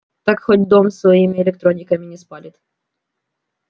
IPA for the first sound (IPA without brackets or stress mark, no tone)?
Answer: t̪